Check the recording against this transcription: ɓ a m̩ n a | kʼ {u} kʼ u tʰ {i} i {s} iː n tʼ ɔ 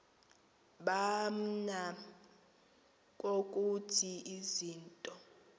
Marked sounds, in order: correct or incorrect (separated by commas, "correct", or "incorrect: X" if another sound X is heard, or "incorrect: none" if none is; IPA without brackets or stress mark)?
incorrect: o, correct, incorrect: z